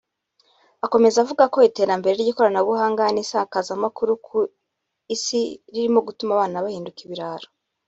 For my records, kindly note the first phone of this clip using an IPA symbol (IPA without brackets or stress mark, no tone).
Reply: a